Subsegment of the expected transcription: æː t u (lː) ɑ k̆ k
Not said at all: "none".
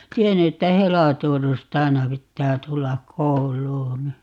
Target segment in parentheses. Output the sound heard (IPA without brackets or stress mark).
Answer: lː